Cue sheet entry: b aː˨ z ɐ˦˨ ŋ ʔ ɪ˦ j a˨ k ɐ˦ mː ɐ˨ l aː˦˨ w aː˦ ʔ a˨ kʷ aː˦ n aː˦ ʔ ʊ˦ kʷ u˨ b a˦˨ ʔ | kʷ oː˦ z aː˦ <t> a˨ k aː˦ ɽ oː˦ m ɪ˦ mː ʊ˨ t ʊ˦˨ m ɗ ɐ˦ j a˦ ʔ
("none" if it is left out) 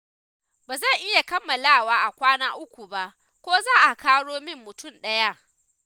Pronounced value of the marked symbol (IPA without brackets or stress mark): ʔ